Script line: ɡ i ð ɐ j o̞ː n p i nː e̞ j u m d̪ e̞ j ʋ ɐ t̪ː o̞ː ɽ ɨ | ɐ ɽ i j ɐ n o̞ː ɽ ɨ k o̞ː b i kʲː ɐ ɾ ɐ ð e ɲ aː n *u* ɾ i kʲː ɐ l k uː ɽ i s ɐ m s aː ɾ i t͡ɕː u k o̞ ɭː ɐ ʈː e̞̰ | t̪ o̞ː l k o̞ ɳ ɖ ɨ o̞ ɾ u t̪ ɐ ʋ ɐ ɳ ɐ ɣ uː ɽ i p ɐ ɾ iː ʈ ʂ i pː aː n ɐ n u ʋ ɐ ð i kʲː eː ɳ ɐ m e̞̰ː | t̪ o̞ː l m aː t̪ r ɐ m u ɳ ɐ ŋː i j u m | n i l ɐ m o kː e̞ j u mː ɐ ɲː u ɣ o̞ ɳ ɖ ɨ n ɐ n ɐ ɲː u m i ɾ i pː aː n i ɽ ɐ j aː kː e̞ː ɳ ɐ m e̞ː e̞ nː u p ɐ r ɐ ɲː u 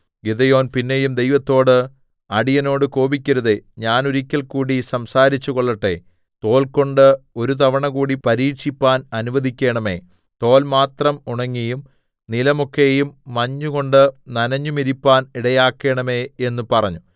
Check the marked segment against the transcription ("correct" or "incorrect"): correct